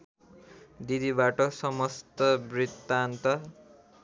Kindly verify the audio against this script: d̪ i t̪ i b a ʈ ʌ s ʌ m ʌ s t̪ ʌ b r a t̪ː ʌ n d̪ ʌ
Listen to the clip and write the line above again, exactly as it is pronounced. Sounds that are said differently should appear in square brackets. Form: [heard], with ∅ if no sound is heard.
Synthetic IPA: d̪ i [d̪] i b a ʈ ʌ s ʌ m ʌ s t̪ ʌ b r [i] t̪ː [a] n [t̪] ʌ